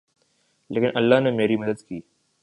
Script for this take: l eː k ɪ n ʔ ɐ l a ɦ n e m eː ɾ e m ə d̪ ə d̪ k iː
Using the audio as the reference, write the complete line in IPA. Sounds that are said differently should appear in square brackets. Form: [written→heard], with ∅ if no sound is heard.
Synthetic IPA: l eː k ɪ n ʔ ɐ [l→lː] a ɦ n e m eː ɾ [e→i] m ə d̪ ə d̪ k iː